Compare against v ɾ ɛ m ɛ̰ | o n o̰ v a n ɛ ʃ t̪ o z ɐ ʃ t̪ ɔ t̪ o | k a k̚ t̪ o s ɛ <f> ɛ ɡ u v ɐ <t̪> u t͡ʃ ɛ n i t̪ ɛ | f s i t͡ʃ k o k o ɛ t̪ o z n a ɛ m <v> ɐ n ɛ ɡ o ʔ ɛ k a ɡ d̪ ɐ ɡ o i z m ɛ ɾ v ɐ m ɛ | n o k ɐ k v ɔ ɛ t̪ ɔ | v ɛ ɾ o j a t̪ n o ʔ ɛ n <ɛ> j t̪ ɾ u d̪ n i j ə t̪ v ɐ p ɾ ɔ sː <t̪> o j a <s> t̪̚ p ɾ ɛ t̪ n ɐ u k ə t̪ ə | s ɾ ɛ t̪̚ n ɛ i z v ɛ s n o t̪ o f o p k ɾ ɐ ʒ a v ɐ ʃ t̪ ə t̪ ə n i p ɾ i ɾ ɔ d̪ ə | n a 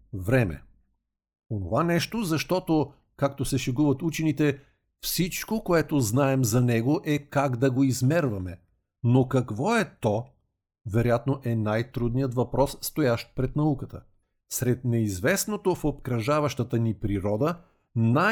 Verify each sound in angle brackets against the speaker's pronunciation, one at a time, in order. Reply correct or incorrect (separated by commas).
incorrect, correct, incorrect, incorrect, correct, incorrect